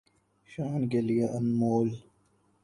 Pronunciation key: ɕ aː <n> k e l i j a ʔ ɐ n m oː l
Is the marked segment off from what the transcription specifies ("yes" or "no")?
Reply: no